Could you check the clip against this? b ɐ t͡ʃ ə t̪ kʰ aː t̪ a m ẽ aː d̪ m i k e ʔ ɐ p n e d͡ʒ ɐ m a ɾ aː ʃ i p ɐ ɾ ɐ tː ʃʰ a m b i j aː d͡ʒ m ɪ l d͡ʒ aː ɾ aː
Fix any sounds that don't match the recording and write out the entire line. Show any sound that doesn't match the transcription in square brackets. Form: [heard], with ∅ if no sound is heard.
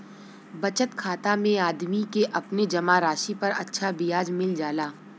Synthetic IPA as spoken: b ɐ t͡ʃ ə t̪ kʰ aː t̪ a m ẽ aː d̪ m i k e ʔ ɐ p n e d͡ʒ ɐ m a ɾ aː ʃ i p ɐ ɾ ɐ tː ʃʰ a [∅] b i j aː d͡ʒ m ɪ l d͡ʒ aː [l] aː